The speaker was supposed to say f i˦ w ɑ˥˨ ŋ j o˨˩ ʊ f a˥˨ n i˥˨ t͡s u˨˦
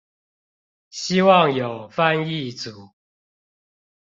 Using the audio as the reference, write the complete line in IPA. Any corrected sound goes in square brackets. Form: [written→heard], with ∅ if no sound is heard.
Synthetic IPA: [f→ɕ] i˦ w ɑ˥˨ ŋ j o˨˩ ʊ f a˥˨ n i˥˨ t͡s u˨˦

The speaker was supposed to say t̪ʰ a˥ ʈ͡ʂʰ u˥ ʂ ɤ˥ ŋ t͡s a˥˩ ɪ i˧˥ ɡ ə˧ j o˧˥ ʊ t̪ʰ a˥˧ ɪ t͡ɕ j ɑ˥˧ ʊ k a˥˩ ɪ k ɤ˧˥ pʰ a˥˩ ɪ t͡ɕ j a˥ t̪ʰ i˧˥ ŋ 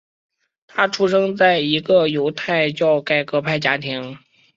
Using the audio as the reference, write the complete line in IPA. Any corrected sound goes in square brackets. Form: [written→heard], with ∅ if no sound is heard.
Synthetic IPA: t̪ʰ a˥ ʈ͡ʂʰ u˥ ʂ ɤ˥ ŋ t͡s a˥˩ ɪ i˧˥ ɡ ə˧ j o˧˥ ʊ t̪ʰ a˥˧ ɪ t͡ɕ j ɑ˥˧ ʊ k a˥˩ ɪ k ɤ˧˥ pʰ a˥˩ ɪ t͡ɕ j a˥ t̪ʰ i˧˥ ŋ

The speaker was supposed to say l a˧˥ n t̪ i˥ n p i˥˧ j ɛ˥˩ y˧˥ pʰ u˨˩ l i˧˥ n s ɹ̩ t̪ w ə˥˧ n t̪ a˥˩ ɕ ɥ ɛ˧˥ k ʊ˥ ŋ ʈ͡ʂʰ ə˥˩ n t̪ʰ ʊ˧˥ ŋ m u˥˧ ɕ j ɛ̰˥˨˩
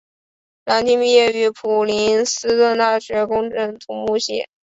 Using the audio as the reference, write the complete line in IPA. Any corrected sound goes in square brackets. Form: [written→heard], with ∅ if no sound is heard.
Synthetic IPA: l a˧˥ n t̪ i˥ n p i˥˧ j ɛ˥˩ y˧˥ pʰ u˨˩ l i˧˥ n s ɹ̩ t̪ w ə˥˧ n t̪ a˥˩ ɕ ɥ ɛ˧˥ k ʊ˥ ŋ [ʈ͡ʂʰ→ʈ͡ʂ] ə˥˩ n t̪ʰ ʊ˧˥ ŋ m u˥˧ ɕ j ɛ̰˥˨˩

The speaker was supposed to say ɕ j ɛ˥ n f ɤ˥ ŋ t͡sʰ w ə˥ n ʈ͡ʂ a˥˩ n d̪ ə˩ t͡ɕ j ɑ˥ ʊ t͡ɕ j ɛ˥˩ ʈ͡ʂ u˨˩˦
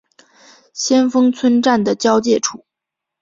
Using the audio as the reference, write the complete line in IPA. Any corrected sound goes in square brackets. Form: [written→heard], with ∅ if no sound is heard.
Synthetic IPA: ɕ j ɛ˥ n f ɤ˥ ŋ t͡sʰ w ə˥ n ʈ͡ʂ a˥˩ n d̪ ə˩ t͡ɕ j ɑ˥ ʊ t͡ɕ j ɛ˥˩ [ʈ͡ʂ→ʈ͡ʂʰ] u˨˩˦

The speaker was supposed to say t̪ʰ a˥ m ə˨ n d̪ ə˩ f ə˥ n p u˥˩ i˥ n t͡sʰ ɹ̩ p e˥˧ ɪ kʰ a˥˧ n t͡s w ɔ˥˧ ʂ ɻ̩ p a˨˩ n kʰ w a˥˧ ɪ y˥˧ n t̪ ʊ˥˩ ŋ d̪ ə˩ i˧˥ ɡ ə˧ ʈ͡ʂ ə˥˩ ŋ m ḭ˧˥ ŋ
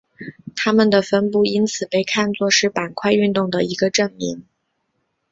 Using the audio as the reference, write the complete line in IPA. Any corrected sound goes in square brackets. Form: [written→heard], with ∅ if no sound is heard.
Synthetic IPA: t̪ʰ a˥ m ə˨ n d̪ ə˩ f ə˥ n p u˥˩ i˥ n t͡sʰ ɹ̩ p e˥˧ ɪ kʰ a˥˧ n t͡s w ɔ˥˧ ʂ ɻ̩ p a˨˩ n kʰ w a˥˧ ɪ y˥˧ n t̪ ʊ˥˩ ŋ d̪ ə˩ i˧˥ ɡ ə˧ ʈ͡ʂ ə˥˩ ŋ m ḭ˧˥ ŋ

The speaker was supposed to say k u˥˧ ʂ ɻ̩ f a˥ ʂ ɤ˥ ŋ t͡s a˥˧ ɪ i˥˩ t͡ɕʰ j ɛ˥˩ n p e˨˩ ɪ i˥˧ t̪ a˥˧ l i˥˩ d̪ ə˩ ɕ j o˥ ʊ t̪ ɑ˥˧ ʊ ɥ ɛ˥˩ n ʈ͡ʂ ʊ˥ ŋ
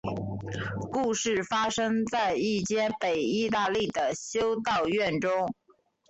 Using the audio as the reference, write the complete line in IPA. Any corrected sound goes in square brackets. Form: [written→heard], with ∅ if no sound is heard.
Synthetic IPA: k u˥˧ ʂ ɻ̩ f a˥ ʂ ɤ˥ ŋ t͡s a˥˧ ɪ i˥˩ [t͡ɕʰ→t͡ɕ] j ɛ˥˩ n p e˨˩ ɪ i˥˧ t̪ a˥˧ l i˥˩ d̪ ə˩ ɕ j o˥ ʊ t̪ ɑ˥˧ ʊ ɥ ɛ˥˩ n ʈ͡ʂ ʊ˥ ŋ

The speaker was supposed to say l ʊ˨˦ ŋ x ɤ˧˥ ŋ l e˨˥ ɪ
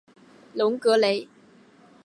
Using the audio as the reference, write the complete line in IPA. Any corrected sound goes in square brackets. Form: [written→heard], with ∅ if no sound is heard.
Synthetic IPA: l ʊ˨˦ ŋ [x→k] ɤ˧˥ [ŋ→∅] l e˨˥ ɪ

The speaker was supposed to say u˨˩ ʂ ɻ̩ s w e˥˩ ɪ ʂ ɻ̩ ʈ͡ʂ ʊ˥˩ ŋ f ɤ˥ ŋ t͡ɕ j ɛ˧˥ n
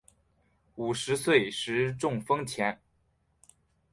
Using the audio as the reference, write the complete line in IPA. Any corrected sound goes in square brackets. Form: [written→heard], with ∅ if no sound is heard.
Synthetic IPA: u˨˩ ʂ ɻ̩ s w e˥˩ ɪ ʂ ɻ̩ ʈ͡ʂ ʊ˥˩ ŋ f ɤ˥ ŋ [t͡ɕ→t͡ɕʰ] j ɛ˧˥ n

